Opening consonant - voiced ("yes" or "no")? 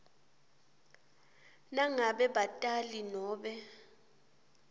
yes